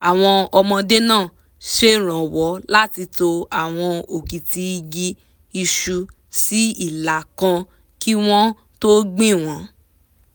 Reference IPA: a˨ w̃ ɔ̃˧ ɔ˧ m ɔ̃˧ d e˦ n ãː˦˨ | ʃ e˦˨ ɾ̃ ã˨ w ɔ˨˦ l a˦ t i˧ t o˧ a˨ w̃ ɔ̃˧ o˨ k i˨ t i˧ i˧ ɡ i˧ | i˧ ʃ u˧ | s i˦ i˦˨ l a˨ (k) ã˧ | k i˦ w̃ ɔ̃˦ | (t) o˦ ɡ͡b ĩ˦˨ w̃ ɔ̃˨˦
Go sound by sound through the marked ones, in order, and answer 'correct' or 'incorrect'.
correct, correct

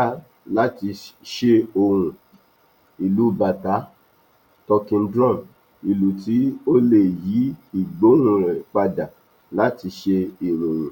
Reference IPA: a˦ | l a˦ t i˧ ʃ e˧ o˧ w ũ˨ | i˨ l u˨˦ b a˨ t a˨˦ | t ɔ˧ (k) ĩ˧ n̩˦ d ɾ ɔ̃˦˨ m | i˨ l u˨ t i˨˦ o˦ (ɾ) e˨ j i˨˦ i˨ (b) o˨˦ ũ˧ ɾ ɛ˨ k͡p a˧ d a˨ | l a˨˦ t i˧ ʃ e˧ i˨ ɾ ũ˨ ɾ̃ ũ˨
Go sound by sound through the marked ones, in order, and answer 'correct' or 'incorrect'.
correct, incorrect: l, incorrect: ɡ͡b

